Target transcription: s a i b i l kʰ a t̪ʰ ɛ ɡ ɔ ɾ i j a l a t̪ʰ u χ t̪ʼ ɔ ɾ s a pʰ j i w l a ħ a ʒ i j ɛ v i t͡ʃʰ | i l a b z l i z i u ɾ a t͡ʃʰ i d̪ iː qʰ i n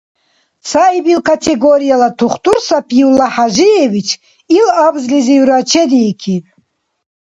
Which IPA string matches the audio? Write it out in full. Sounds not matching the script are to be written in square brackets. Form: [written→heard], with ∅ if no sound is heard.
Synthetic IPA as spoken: s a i b i l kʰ a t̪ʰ ɛ ɡ ɔ ɾ i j a l a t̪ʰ u χ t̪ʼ [ɔ→u] ɾ s a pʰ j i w l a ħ a ʒ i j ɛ v i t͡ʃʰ | i l a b z l i z i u ɾ a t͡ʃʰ [i→ɛ] d̪ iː [qʰ→kʰ] i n